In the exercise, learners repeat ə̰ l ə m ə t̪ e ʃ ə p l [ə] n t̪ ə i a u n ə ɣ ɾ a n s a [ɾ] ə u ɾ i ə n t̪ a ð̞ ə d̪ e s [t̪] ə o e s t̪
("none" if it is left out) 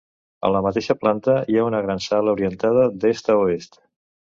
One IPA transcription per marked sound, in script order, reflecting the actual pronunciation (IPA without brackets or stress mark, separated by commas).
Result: a, l, t̪